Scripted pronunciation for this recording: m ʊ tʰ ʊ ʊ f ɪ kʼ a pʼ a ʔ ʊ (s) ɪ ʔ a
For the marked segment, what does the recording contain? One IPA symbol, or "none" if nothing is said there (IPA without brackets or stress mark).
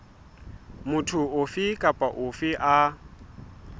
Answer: f